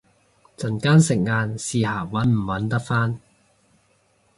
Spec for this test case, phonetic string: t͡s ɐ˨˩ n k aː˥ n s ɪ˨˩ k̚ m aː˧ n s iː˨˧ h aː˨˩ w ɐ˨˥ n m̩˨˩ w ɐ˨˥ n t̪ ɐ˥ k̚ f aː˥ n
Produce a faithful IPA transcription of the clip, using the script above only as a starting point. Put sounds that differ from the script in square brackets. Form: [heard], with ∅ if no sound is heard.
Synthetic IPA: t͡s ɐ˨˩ n k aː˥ n s ɪ˨˩ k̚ [ŋ] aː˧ n s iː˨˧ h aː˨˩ w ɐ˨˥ n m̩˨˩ w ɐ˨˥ n t̪ ɐ˥ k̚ f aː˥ n